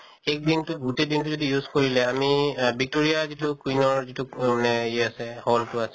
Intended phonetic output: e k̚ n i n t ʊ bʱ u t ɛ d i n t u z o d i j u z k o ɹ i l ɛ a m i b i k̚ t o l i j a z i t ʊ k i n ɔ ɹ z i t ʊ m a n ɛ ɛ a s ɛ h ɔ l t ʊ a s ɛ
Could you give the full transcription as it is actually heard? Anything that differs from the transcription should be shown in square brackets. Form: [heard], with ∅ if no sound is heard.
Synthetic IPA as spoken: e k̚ [d] i n t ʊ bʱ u t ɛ d i n t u z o d i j u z k o ɹ i l ɛ a m i b i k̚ t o [ɹ] i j a z i t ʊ k i n ɔ ɹ z i t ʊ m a n ɛ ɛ a s ɛ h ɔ l t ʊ a s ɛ